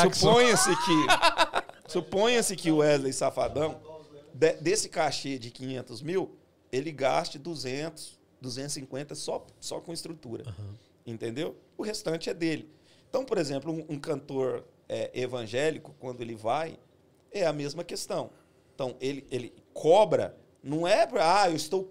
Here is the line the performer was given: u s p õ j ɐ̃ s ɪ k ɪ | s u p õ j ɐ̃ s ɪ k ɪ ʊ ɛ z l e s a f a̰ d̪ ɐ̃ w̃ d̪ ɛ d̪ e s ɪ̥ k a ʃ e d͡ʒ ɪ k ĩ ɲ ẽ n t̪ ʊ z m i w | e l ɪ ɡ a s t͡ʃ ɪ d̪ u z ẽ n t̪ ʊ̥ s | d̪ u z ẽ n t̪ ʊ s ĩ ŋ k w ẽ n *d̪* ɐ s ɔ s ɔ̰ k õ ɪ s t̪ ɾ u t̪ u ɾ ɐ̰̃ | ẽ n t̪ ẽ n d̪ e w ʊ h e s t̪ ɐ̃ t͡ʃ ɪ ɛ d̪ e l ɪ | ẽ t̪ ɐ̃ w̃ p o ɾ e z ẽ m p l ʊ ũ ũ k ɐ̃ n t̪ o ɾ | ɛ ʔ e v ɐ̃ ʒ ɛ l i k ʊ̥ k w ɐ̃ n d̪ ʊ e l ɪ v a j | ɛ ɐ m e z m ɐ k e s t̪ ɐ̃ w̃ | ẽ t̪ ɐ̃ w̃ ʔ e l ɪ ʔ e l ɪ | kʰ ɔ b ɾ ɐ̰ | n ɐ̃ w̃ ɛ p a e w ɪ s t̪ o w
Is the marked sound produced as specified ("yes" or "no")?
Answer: no